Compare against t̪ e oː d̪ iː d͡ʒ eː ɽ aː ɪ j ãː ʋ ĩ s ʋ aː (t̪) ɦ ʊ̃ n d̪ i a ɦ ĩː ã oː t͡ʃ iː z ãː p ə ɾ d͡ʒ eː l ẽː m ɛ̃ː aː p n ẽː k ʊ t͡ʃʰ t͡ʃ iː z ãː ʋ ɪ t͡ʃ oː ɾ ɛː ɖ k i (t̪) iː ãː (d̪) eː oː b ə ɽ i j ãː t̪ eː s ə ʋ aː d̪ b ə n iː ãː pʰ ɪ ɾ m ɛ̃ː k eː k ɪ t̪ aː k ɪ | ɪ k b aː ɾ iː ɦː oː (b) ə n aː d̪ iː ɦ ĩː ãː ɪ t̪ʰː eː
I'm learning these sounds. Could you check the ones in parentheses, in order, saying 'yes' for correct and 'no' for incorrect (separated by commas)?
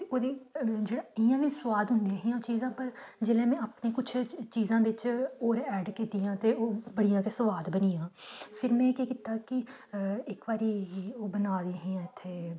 no, yes, no, yes